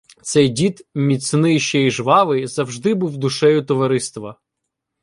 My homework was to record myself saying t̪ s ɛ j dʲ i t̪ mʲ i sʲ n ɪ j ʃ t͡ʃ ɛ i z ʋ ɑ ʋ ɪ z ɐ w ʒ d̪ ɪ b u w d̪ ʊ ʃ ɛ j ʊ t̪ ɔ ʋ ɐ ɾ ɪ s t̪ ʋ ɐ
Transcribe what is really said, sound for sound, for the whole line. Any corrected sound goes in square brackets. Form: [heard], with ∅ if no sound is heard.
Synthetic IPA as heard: t̪ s ɛ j dʲ i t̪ mʲ i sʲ n ɪ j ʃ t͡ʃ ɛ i [ʒ] ʋ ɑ ʋ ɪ z ɐ w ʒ d̪ ɪ b u w d̪ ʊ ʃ ɛ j ʊ t̪ ɔ ʋ ɐ ɾ ɪ s t̪ ʋ ɐ